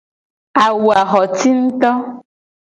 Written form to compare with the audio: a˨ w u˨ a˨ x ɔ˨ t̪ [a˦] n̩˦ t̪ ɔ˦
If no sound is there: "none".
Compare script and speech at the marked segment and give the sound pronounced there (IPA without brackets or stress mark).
i˦